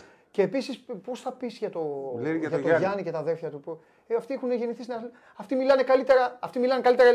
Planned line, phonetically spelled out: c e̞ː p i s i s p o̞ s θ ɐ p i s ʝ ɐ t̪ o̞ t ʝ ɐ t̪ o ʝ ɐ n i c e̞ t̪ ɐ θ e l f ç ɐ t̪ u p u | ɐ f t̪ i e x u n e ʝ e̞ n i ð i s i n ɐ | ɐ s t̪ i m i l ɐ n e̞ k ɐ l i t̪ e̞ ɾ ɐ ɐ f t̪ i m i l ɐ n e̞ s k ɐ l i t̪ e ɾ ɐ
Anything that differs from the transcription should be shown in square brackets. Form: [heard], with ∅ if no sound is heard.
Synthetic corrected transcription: c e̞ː p i s i s p o̞ s θ ɐ p i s ʝ ɐ t̪ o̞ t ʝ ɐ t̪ o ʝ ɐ n i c e̞ t̪ ɐ [ð] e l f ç ɐ t̪ u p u | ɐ f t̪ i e x u n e ʝ e̞ n i [θ] i s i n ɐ | ɐ [f] t̪ i m i l ɐ n e̞ k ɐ l i t̪ e̞ ɾ ɐ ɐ f t̪ i m i l ɐ n e̞ [∅] k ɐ l i t̪ e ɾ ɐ